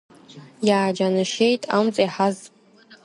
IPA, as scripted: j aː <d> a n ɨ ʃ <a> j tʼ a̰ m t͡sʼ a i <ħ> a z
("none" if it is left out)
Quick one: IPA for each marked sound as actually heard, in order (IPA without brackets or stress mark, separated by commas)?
d͡ʒ, e, ħ